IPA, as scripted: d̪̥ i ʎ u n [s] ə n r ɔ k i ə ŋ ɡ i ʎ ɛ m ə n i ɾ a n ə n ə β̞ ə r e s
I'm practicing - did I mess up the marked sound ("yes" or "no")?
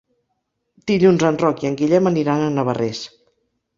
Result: yes